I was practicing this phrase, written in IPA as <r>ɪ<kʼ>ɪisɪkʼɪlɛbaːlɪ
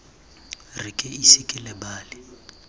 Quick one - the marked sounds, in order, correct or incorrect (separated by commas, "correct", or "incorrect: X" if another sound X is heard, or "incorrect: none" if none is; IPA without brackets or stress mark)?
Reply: correct, correct